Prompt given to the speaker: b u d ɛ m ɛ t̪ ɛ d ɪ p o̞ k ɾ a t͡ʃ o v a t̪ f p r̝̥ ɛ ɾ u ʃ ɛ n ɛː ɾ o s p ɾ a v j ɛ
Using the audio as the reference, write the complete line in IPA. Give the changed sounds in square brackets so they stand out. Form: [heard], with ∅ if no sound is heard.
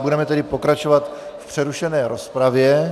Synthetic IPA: b u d ɛ m ɛ t̪ ɛ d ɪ p o̞ k ɾ a t͡ʃ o v a t̪ f p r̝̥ ɛ ɾ u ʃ ɛ n ɛː ɾ o s p ɾ a v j ɛ